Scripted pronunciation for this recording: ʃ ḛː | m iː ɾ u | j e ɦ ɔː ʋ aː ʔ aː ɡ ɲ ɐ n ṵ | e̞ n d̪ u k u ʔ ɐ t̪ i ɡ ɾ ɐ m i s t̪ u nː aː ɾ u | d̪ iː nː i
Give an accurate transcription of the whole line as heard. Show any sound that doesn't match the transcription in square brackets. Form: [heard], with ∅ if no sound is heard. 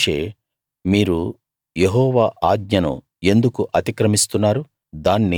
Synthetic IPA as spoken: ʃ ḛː | m iː ɾ u | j e ɦ ɔː ʋ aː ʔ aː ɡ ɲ ɐ n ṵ | e̞ n d̪ u k u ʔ ɐ t̪ i [k] ɾ ɐ m i s t̪ u nː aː ɾ u | d̪ [aː] nː i